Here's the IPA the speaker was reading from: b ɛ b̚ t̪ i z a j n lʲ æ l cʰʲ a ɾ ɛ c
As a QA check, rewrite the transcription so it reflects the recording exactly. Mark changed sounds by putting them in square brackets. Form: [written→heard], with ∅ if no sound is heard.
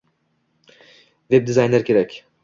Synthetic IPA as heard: [b→v] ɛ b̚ [t̪→d̪] i z a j n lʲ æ [l→ɾ] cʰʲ [a→e] ɾ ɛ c

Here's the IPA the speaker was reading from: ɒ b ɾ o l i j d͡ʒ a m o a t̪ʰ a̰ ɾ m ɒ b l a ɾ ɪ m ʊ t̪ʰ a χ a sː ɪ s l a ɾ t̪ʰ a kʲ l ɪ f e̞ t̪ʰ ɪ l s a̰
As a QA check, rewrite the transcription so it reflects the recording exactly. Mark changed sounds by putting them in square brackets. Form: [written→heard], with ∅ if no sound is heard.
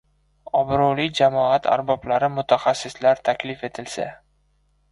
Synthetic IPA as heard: ɒ b ɾ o l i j d͡ʒ a m [o→ɒ] a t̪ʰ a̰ ɾ [m→b] ɒ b l a ɾ ɪ m ʊ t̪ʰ a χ a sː ɪ s l a ɾ t̪ʰ a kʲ l ɪ f e̞ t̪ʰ ɪ l s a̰

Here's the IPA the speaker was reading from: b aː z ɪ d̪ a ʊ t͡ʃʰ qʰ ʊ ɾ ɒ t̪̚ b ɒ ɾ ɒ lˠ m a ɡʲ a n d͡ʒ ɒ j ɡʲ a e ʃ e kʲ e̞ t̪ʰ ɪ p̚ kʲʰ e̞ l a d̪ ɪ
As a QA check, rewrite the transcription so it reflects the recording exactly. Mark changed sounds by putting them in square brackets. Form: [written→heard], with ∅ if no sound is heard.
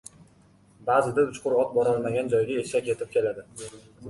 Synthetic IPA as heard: b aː z ɪ d̪ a ʊ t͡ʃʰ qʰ ʊ ɾ ɒ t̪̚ b ɒ ɾ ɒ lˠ m a ɡʲ a n d͡ʒ ɒ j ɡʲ a e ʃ [e→a] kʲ e̞ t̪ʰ ɪ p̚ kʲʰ e̞ l a d̪ ɪ

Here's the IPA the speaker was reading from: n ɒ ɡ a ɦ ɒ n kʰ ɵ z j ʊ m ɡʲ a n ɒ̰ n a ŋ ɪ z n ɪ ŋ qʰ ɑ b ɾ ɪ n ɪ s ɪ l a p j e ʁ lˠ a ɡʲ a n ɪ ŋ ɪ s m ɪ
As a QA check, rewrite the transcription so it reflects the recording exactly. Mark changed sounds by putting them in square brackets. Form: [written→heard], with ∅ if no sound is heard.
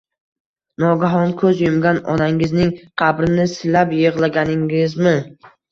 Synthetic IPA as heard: n ɒ ɡ a ɦ ɒ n kʰ ɵ z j ʊ m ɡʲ a n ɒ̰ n a ŋ ɪ z n ɪ ŋ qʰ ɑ b ɾ ɪ n ɪ s ɪ l a p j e ʁ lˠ a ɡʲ a n ɪ ŋ ɪ [s→z] m ɪ

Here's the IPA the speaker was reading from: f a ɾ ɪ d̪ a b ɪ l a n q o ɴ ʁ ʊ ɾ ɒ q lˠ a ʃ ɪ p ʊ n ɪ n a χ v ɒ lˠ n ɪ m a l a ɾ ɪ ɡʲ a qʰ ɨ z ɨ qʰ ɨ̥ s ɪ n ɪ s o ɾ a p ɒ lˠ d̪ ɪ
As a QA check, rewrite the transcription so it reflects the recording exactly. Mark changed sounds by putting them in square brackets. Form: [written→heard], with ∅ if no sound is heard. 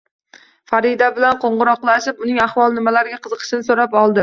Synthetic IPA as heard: f a ɾ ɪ d̪ a b ɪ l a n q o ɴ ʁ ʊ ɾ ɒ q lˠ a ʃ ɪ p ʊ n ɪ [n→ŋ] a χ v ɒ lˠ n ɪ m a l a ɾ ɪ ɡʲ a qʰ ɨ z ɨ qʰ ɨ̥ [s→ʃ] ɪ n ɪ s o ɾ a p ɒ lˠ d̪ ɪ

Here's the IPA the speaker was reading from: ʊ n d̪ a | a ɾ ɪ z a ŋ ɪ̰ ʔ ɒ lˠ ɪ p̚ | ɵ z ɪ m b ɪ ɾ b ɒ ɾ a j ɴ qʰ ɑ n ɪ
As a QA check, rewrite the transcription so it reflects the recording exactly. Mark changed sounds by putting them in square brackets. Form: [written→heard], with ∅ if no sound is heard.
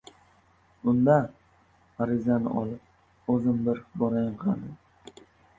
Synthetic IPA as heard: ʊ n d̪ a | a ɾ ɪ z a [ŋ→n] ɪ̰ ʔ ɒ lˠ ɪ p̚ | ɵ z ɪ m b ɪ ɾ b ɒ ɾ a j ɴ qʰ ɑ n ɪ

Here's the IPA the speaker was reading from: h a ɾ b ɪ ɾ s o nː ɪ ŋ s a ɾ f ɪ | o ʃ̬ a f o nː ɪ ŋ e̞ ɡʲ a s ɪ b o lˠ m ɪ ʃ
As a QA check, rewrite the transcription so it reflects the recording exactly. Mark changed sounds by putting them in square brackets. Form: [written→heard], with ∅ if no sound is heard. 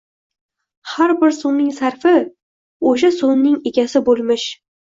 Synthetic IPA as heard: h a ɾ b ɪ ɾ s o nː ɪ ŋ s a ɾ f ɪ | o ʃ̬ a [f→s] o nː ɪ ŋ e̞ ɡʲ a s ɪ b o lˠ m ɪ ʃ

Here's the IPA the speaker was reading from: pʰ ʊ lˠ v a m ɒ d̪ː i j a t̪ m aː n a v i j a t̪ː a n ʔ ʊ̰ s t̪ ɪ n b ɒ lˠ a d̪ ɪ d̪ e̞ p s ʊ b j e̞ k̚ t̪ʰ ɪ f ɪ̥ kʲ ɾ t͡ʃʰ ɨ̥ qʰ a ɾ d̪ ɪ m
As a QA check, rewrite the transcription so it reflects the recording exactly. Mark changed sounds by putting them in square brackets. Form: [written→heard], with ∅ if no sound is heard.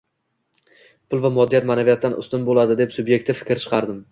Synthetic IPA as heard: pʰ ʊ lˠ v a m ɒ d̪ː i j a t̪ m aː n a v i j a t̪ː a n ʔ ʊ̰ s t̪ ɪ n b [ɒ→o] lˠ a d̪ ɪ d̪ e̞ p s ʊ b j e̞ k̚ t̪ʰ ɪ f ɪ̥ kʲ ɾ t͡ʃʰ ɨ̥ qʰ [a→ɑ] ɾ d̪ ɪ m

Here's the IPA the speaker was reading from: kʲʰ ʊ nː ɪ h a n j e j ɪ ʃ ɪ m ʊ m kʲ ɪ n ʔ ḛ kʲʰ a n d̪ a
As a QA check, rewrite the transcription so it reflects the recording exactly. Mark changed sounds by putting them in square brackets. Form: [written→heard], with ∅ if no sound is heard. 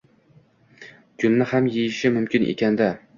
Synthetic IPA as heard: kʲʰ ʊ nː ɪ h a [n→m] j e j ɪ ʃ ɪ m ʊ m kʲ ɪ n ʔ ḛ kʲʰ a n d̪ a

